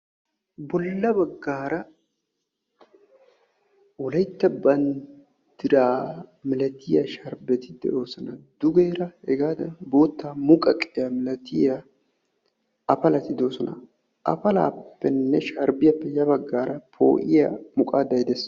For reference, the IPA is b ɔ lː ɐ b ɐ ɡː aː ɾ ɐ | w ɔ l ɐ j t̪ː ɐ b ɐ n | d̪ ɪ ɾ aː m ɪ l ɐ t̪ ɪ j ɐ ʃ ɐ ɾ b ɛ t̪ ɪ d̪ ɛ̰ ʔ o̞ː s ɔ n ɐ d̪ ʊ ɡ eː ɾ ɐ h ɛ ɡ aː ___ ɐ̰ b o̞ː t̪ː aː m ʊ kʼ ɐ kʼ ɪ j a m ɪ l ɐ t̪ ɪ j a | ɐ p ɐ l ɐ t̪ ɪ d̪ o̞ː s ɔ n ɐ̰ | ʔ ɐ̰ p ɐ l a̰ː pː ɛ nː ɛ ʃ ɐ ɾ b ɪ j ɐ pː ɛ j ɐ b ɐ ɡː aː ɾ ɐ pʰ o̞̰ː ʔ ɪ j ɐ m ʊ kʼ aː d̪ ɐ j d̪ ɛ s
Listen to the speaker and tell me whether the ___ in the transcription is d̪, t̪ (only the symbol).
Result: d̪